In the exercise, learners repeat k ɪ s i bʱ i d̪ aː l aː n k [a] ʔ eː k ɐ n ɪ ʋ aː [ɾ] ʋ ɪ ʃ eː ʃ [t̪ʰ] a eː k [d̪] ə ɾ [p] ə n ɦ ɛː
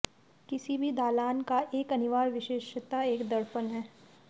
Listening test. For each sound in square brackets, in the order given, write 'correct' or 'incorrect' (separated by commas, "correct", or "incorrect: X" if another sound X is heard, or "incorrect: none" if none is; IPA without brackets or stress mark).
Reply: correct, correct, incorrect: t̪, correct, correct